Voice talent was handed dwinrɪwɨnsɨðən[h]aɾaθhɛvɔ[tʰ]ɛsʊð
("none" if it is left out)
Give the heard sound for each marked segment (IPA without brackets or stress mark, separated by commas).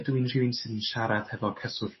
ʃ, kʰ